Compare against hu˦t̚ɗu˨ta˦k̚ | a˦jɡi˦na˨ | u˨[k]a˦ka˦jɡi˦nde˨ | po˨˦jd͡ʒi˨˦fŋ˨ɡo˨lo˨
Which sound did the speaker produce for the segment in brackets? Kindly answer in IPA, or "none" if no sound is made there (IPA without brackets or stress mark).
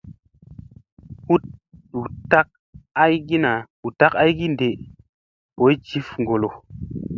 t